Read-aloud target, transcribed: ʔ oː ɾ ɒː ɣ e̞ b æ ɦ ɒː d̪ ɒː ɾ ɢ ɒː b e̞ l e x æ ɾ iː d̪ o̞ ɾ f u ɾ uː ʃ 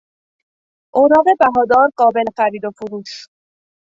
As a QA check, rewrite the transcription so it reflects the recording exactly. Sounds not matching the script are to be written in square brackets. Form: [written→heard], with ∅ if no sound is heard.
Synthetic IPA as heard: ʔ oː ɾ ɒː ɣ e̞ b æ ɦ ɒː d̪ ɒː ɾ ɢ ɒː b e̞ l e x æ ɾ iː d̪ o̞ [ɾ→∅] f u ɾ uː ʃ